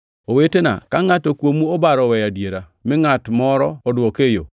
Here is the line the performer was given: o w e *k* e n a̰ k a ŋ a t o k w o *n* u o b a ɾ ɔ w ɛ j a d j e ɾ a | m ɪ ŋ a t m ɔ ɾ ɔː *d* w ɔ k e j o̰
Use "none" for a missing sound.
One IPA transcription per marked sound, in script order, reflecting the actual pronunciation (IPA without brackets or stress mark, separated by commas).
t, m, d